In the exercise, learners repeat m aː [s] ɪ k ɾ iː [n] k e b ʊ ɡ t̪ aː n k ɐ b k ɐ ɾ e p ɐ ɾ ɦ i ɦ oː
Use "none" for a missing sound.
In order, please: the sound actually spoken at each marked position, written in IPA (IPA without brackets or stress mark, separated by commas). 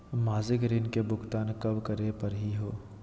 z, n